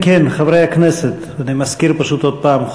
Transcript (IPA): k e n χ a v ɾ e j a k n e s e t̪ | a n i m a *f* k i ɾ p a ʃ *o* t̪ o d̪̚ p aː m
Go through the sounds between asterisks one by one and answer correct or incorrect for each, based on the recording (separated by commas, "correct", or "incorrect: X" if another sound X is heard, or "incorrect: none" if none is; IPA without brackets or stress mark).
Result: incorrect: s, incorrect: u